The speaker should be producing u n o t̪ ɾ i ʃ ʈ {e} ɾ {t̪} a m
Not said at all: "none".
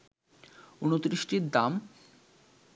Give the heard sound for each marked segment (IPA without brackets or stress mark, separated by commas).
i, d̪